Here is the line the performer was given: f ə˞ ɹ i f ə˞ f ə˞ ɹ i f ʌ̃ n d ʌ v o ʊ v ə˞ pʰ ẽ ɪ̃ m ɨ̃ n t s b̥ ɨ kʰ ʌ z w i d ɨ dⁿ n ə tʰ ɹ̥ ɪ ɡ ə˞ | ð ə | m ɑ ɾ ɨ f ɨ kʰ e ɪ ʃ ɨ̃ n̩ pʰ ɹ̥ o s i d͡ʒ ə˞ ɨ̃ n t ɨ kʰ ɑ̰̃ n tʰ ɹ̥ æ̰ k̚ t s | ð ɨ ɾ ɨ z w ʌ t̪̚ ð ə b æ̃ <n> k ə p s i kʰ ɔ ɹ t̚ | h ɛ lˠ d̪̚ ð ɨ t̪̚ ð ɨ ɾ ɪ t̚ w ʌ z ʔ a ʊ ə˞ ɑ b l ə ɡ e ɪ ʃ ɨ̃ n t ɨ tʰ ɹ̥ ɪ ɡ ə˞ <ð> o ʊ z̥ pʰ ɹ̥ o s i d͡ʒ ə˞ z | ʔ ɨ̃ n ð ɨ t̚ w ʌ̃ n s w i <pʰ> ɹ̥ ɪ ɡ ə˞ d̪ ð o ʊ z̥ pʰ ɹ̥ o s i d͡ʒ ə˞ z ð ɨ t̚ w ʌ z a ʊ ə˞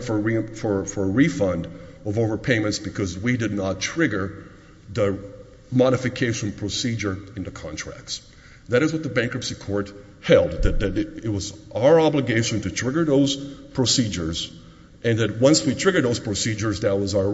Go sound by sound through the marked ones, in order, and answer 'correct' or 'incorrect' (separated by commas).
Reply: incorrect, correct, incorrect